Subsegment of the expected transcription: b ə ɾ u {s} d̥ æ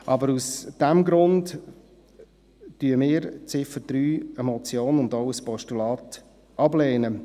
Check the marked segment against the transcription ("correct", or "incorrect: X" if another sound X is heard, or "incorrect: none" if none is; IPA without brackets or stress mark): correct